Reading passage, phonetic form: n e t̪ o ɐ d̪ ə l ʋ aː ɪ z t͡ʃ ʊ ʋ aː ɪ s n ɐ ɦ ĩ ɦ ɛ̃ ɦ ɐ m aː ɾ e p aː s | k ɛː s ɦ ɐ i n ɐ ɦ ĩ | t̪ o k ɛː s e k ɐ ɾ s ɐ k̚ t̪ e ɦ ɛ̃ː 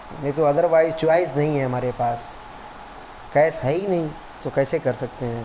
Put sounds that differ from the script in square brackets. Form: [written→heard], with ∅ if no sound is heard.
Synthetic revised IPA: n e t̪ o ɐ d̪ ə [l→ɾ] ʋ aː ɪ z t͡ʃ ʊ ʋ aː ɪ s n ɐ ɦ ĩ ɦ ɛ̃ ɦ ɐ m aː ɾ e p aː s | k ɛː s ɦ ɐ i n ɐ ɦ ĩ | t̪ o k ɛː s e k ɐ ɾ s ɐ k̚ t̪ e ɦ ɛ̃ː